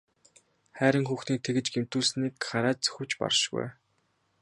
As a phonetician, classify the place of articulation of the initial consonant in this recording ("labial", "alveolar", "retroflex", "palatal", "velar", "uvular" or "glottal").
uvular